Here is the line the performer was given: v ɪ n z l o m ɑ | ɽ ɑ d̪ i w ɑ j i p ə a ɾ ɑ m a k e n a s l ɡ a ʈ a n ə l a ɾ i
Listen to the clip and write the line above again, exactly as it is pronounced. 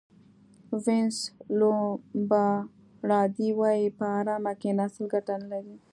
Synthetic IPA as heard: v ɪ n s l o b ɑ | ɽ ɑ d̪ i w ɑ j i p ə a ɾ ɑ m a k e n a s l ɡ a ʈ a n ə l a ɾ i